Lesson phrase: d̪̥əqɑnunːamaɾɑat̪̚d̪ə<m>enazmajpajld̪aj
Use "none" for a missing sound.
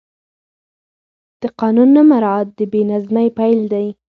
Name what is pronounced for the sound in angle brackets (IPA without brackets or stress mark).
b